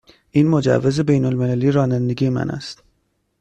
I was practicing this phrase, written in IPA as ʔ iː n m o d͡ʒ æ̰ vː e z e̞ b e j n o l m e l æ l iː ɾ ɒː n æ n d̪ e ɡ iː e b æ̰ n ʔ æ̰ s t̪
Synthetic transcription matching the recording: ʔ iː n m o d͡ʒ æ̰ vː e z e̞ b e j n o l m e l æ l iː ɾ ɒː n æ n d̪ e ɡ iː e m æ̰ n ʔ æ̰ s t̪